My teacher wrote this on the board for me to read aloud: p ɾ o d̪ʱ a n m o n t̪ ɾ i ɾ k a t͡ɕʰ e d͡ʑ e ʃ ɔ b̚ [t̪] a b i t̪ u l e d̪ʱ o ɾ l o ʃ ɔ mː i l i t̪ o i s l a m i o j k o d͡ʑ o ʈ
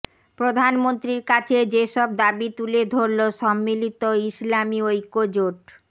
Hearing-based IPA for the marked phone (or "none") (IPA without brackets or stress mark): d̪